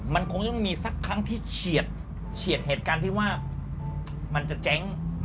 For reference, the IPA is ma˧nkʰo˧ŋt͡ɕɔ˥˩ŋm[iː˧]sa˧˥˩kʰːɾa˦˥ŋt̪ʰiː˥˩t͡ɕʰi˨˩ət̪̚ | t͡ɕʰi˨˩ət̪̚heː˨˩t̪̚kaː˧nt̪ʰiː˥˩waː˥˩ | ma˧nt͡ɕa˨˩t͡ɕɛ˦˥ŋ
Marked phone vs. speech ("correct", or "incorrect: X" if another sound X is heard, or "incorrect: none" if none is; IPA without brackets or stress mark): correct